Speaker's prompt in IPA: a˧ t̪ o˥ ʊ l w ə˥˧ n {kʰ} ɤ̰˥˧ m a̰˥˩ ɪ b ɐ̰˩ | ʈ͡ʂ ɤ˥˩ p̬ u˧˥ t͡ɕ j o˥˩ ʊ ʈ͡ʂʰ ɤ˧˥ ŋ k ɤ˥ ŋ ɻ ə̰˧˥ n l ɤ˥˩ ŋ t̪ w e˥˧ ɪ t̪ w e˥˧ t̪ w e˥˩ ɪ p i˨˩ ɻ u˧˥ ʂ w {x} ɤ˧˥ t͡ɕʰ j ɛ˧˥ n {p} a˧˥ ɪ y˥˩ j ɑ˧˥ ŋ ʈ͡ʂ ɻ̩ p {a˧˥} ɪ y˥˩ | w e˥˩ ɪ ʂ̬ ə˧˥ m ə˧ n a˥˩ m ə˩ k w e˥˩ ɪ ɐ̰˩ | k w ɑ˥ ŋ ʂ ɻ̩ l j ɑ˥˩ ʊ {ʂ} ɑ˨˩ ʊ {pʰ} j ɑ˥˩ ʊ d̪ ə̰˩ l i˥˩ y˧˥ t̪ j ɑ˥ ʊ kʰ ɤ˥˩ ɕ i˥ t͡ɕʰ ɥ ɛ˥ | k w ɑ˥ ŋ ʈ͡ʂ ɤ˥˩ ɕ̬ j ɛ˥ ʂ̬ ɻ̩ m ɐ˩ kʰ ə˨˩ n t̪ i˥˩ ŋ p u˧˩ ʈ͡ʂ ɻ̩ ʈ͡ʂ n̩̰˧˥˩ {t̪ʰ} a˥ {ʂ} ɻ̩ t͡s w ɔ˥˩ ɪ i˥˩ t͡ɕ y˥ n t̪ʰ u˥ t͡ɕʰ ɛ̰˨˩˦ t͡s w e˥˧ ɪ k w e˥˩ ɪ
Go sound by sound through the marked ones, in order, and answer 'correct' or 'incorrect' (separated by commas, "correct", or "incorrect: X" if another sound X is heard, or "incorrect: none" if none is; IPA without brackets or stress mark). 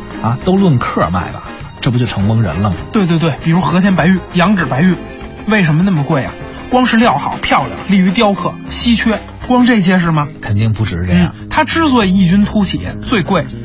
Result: correct, correct, correct, correct, incorrect: x, correct, correct, incorrect: ʈ͡ʂ